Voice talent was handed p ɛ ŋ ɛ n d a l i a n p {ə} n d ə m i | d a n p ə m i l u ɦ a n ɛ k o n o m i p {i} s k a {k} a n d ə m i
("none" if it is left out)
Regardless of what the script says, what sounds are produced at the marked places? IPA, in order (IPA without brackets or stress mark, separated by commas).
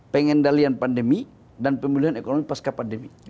a, a, p